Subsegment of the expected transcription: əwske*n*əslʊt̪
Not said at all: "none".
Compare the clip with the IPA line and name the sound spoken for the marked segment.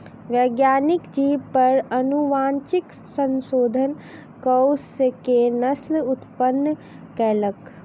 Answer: n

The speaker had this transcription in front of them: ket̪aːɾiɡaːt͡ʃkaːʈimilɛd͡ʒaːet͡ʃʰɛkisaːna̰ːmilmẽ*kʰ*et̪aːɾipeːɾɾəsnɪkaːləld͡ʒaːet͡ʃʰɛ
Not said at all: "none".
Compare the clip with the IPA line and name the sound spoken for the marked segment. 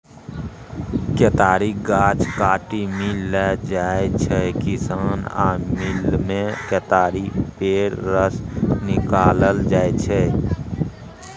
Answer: k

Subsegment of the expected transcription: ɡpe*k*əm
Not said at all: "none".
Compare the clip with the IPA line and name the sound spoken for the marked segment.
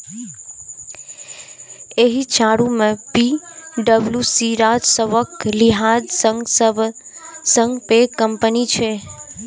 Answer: k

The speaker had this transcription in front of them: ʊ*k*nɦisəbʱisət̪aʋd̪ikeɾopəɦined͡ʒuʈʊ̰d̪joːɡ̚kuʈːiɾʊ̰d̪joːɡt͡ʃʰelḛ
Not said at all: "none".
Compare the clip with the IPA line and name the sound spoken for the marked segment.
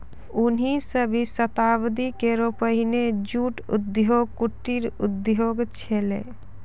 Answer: none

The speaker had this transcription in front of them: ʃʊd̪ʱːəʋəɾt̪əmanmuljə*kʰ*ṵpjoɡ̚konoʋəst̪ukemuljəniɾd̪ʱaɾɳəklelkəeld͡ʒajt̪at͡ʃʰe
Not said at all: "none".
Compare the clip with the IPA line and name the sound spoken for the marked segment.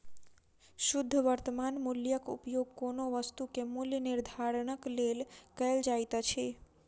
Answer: k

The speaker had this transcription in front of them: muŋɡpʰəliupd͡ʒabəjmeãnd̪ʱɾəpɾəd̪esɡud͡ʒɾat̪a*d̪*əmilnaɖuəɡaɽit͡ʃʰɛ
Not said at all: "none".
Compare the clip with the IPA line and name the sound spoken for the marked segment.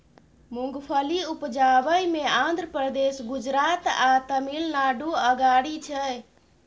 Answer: t̪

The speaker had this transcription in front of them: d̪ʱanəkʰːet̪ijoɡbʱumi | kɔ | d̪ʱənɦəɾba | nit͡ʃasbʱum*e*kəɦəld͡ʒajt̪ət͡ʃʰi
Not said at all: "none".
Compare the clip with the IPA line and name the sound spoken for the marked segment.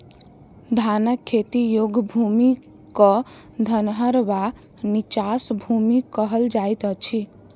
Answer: i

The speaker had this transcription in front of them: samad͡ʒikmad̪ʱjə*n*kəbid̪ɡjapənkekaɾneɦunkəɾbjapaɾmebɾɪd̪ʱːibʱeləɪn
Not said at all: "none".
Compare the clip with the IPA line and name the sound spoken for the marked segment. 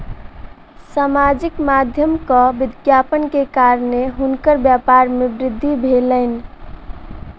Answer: m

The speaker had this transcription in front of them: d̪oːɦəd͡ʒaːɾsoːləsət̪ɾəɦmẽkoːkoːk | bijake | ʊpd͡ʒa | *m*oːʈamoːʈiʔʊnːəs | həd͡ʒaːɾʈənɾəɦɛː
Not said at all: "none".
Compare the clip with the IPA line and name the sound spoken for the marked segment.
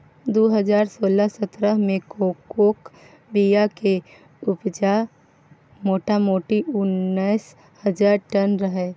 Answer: m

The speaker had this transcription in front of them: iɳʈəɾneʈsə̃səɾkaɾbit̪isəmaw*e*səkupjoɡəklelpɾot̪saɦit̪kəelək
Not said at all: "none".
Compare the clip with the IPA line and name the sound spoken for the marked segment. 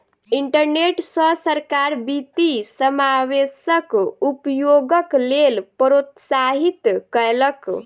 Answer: e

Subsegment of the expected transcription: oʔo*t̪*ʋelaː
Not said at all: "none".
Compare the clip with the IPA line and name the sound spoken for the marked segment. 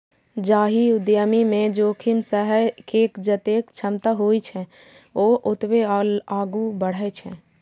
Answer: t̪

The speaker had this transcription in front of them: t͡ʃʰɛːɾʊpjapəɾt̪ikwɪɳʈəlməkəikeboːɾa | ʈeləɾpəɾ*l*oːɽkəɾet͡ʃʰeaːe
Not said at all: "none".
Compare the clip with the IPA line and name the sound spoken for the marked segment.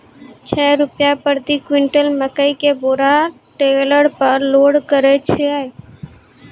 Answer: l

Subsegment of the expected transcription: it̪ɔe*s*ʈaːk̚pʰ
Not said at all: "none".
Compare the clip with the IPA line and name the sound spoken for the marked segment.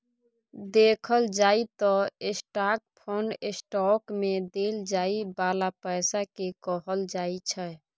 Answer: s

